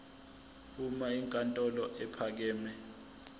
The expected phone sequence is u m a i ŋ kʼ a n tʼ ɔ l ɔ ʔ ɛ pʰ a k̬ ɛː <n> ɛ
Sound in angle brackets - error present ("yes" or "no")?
yes